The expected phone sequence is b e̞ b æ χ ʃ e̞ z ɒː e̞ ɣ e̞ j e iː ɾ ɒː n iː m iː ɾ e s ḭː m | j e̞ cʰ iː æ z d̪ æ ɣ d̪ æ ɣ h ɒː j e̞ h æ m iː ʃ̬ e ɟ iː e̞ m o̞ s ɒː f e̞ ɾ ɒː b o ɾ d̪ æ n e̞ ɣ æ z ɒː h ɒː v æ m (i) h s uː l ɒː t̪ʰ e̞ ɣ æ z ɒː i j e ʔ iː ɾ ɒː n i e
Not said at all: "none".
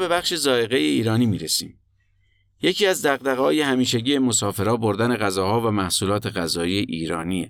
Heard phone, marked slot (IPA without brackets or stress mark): æ